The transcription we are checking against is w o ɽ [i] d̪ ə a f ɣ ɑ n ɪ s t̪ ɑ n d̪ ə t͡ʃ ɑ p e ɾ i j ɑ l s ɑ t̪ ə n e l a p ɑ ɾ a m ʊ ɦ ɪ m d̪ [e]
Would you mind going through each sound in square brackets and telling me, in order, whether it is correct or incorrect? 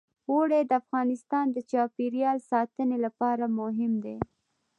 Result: incorrect, correct

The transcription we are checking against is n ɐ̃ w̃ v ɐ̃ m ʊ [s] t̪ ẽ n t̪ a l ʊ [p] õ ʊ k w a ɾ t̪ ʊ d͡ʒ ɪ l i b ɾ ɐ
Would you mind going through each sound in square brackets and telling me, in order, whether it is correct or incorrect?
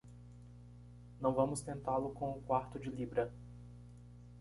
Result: correct, incorrect

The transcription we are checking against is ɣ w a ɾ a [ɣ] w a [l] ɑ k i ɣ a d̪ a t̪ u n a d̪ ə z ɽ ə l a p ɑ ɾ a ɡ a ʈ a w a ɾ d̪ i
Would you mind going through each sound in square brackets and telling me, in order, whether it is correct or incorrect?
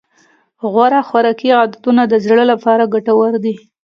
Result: incorrect, incorrect

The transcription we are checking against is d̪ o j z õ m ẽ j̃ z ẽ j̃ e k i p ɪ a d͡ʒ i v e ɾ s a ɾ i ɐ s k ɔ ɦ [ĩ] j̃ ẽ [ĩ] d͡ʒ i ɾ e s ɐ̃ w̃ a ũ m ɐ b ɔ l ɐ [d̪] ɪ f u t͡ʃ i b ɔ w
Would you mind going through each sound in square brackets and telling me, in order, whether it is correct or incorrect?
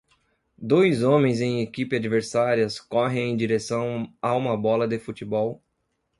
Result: incorrect, incorrect, correct

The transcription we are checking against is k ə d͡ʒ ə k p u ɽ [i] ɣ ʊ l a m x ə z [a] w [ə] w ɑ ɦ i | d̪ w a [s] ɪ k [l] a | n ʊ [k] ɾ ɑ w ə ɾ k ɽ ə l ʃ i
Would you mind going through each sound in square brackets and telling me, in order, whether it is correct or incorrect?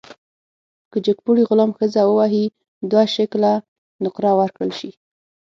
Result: correct, correct, correct, incorrect, correct, incorrect

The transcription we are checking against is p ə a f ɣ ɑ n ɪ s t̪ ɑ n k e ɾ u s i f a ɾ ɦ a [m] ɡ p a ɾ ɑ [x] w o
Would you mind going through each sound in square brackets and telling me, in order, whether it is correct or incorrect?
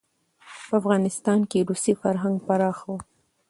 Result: incorrect, correct

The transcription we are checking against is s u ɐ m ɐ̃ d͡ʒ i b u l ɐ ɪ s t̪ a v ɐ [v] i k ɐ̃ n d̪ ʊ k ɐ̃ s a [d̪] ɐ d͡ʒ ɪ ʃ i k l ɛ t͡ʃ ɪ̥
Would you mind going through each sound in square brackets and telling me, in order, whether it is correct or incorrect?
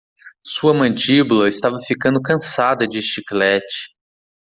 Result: incorrect, correct

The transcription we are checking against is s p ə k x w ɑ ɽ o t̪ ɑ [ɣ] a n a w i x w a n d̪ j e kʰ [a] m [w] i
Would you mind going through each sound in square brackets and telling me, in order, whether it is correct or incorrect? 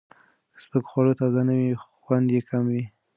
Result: incorrect, correct, correct

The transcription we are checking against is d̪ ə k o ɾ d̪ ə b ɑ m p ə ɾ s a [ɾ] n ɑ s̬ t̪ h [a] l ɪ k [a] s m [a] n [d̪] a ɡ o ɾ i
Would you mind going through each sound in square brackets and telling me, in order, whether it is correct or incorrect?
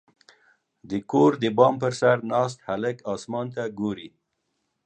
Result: correct, correct, incorrect, incorrect, incorrect

